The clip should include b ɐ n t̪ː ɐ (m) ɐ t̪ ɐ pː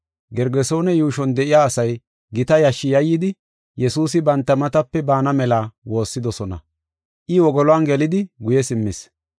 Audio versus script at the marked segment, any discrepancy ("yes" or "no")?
no